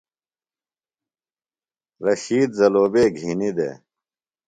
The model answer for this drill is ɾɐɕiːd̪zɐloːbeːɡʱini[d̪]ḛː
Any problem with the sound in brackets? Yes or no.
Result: no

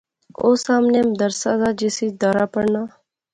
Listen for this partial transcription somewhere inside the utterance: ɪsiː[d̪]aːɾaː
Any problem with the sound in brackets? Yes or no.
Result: no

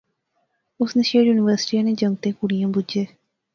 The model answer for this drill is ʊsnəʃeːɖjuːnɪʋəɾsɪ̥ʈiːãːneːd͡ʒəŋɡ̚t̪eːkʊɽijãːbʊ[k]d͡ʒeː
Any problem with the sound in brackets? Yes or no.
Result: yes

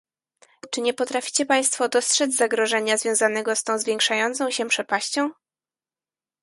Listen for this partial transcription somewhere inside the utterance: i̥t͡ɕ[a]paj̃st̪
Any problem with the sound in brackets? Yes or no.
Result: yes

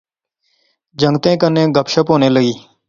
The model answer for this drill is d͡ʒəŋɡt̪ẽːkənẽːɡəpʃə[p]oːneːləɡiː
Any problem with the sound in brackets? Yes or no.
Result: no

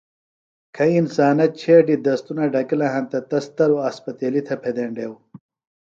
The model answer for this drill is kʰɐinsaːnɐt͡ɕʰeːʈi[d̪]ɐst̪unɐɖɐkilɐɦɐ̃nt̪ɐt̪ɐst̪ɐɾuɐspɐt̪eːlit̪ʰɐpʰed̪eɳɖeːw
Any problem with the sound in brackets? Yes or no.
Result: no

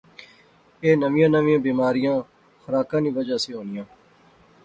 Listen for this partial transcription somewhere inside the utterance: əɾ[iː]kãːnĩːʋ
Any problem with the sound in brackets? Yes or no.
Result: yes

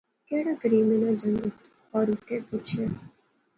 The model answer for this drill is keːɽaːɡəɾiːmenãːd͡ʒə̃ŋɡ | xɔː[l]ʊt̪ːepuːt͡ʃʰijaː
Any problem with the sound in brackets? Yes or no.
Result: yes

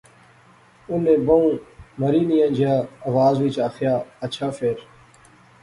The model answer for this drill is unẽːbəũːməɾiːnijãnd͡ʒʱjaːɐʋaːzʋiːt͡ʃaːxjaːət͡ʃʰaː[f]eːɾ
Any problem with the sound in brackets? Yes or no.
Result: no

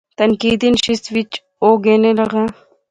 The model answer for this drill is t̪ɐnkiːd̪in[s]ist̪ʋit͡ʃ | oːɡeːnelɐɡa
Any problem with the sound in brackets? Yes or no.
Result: yes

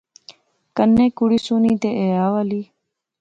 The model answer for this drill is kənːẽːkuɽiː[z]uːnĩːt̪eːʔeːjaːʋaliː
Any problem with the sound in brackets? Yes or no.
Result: yes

